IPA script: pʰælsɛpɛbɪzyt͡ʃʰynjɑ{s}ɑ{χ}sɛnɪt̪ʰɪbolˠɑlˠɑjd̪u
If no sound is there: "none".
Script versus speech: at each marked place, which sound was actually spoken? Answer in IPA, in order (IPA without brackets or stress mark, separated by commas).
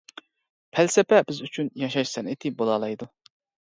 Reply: ʃ, ʃ